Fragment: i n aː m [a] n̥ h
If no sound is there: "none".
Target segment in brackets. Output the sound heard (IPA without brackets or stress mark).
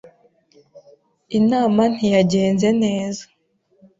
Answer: a